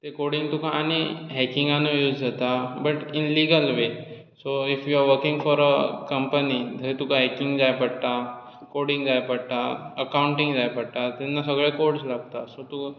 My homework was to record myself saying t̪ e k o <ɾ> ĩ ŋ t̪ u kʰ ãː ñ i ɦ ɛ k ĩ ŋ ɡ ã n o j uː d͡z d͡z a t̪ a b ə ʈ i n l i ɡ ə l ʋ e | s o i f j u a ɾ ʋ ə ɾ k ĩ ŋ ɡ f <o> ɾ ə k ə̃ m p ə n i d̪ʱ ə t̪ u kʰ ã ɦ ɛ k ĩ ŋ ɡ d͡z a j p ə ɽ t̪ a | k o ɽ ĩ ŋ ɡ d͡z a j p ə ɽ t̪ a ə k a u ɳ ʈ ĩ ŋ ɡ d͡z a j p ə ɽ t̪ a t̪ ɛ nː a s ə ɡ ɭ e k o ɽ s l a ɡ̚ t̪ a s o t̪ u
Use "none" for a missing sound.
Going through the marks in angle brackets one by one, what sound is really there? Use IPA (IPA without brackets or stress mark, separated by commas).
ɽ, ɔ